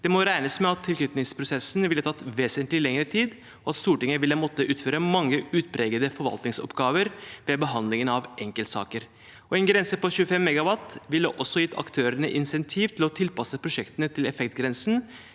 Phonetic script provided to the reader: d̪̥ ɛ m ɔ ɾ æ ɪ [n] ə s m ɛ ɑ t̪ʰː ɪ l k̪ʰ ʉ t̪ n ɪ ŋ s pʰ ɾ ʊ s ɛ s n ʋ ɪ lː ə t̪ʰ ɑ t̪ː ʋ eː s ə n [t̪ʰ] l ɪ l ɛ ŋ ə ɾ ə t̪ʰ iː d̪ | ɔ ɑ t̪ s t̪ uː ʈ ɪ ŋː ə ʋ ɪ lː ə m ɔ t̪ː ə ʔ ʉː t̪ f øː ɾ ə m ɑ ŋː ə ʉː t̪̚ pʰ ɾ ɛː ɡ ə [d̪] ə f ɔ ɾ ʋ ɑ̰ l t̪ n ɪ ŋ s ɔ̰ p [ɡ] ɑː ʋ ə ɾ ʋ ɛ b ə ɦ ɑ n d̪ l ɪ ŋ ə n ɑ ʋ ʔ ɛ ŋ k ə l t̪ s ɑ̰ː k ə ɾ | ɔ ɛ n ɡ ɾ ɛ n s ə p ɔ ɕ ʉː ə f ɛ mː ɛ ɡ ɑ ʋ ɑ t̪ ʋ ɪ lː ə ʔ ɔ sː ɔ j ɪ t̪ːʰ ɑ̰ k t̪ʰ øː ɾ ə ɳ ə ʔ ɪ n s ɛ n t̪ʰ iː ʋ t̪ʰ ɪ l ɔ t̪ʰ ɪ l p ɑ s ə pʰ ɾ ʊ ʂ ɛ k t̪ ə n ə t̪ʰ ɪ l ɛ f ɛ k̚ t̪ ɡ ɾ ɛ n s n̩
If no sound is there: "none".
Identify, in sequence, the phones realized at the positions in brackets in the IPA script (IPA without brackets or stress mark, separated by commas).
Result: n, t̪, d̪, ɡ